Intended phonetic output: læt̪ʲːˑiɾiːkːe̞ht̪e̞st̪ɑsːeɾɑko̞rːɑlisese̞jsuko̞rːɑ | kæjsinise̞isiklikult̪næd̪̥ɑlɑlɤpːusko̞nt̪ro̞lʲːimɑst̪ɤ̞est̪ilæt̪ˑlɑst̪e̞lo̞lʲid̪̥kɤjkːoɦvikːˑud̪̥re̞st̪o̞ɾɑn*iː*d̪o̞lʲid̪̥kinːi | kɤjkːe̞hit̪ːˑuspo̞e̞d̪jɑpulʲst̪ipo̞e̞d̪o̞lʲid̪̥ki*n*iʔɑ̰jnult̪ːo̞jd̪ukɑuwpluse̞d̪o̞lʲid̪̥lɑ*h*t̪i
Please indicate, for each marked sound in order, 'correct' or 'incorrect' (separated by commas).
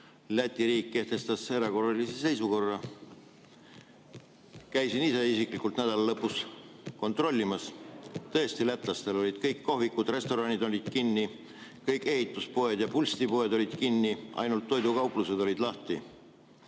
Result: incorrect, incorrect, correct